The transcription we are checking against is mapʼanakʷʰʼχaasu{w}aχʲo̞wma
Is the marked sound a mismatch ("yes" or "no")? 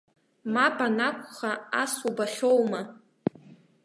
yes